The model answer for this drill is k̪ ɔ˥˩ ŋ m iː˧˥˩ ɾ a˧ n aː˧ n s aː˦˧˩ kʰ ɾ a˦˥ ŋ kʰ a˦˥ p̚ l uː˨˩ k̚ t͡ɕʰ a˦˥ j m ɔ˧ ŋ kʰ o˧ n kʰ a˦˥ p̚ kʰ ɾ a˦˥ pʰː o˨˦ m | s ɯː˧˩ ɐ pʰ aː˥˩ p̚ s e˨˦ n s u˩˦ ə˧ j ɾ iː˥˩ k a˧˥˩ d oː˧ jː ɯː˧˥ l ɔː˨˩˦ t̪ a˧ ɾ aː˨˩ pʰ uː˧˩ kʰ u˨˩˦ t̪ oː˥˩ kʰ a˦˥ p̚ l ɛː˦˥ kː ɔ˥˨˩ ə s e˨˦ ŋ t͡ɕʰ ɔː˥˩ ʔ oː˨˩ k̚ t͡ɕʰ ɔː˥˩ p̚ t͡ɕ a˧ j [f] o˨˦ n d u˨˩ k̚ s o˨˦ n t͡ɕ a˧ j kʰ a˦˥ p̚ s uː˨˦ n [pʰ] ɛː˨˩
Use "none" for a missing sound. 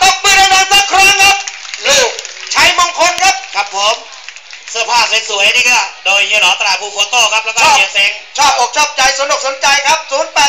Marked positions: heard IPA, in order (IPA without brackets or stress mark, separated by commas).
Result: s, p